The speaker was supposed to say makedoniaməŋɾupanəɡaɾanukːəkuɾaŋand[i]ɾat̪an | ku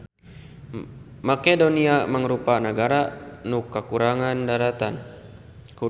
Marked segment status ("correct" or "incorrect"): incorrect